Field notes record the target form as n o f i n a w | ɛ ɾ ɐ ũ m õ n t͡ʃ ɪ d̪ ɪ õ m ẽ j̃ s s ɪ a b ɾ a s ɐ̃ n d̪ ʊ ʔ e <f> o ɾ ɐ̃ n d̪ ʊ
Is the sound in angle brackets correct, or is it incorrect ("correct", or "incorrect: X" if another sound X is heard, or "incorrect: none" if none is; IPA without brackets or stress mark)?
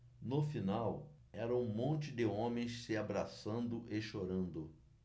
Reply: incorrect: ʃ